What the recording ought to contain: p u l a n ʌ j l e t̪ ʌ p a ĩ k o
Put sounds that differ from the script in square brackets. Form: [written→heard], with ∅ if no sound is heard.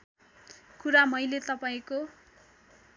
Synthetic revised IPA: [p→k] u [l→ɾ] a [n→m] ʌ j l e t̪ ʌ p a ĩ k o